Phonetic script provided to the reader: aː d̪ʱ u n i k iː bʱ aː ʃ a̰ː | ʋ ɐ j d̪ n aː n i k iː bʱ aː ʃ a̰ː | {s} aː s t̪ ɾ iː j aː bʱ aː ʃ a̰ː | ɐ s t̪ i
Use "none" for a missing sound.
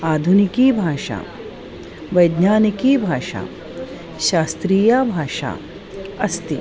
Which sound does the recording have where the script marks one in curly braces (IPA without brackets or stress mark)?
ʃ